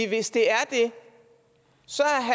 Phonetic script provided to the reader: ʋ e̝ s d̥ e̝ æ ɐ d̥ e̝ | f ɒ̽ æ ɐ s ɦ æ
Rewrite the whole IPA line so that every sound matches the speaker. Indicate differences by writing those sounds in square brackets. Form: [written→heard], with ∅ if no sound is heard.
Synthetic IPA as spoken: ʋ e̝ s d̥ e̝ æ ɐ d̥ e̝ | [f→s] ɒ̽ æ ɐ [s→∅] ɦ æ